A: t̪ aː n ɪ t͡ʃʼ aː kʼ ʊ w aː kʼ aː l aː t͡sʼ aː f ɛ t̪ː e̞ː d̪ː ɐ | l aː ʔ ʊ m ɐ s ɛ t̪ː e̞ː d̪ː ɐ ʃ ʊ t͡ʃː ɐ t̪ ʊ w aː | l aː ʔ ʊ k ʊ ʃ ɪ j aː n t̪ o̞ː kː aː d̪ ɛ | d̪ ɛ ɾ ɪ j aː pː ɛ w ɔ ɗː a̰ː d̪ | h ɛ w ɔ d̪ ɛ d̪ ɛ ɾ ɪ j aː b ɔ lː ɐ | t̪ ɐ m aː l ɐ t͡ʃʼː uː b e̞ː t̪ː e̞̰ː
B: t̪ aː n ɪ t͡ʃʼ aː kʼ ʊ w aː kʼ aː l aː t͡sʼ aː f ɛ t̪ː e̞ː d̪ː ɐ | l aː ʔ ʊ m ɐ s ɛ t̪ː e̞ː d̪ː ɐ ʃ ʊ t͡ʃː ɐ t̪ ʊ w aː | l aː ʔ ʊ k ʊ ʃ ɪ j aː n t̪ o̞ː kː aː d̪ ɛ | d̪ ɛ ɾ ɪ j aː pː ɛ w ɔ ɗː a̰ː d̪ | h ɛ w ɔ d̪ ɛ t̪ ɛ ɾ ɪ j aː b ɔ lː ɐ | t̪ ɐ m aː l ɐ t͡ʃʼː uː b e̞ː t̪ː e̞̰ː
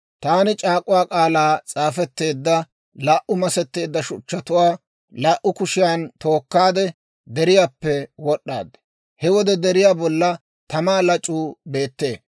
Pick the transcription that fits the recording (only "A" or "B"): A